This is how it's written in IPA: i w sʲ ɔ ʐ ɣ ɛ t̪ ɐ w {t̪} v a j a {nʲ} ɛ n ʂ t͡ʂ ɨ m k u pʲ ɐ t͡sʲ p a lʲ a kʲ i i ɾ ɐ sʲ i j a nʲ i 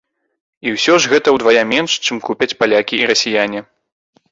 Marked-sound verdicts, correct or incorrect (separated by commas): incorrect, incorrect